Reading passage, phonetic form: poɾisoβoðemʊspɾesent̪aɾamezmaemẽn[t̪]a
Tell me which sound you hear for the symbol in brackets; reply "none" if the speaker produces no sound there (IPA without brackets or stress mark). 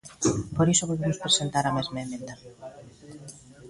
d̪